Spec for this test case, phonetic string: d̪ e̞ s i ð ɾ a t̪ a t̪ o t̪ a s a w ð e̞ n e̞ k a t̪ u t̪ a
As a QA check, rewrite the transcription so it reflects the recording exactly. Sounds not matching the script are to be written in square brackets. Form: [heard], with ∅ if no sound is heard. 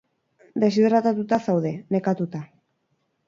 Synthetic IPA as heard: d̪ e̞ s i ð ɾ a t̪ a t̪ [u] t̪ a s a w ð e̞ n e̞ k a t̪ u t̪ a